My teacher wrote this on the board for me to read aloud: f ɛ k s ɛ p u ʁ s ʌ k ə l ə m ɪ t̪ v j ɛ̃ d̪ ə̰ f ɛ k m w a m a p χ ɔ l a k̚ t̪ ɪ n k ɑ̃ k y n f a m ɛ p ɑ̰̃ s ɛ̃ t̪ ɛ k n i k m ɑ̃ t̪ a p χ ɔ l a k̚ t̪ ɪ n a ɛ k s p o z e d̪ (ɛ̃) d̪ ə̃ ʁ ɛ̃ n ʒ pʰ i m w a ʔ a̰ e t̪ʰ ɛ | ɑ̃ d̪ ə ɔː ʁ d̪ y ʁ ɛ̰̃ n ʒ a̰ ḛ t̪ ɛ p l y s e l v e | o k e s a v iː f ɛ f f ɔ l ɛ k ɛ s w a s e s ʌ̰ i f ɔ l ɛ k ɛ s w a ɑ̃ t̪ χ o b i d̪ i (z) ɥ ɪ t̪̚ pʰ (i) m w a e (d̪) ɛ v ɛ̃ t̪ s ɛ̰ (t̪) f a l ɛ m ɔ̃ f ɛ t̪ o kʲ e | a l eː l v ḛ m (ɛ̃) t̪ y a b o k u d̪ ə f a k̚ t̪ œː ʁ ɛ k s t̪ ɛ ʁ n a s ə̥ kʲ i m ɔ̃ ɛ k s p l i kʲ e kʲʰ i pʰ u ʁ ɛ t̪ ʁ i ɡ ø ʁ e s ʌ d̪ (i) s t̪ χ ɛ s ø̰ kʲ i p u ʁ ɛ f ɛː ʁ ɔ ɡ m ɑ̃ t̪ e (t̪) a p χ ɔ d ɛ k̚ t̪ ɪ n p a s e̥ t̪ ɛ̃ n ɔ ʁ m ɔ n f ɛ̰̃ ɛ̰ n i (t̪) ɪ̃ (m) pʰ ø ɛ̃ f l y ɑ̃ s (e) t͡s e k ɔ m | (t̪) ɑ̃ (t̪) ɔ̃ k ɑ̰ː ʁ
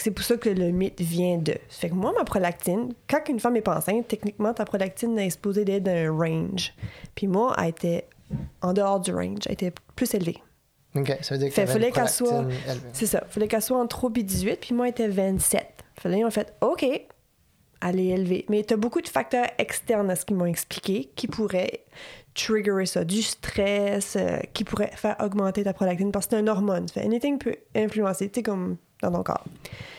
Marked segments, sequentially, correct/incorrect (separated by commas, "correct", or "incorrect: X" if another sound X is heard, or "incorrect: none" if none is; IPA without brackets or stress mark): incorrect: ɛ, correct, correct, incorrect: t̪, correct, incorrect: ɛ, incorrect: y, correct, correct, incorrect: ŋ, correct, incorrect: d̪, correct